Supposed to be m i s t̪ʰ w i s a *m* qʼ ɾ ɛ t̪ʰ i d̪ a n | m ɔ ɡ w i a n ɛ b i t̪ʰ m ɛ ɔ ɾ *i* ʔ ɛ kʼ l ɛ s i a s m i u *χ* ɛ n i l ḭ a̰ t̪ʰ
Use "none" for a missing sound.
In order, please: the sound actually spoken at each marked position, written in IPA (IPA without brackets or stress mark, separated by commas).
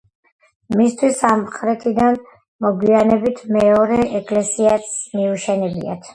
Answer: m, ɛ, ʃ